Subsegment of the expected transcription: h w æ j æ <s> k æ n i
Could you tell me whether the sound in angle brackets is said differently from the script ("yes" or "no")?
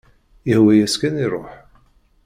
no